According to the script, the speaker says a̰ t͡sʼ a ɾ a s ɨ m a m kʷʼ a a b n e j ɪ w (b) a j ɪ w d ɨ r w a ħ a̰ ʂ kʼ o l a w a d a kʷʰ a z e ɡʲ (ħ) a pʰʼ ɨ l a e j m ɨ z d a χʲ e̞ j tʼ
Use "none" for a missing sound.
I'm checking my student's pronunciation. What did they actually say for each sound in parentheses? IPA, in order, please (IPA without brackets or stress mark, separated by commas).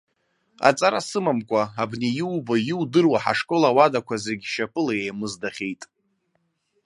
b, ʃ